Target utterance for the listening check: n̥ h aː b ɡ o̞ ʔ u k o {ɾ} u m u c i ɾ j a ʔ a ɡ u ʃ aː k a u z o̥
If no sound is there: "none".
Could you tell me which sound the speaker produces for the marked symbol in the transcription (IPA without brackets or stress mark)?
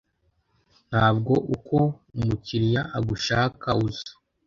none